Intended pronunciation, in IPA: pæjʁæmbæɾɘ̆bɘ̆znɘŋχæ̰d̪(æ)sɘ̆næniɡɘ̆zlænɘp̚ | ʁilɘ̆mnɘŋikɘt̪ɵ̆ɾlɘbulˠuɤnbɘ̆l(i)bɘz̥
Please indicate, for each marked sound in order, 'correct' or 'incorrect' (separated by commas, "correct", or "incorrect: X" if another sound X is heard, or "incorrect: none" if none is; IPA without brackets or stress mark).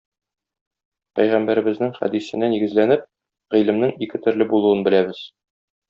incorrect: i, incorrect: æ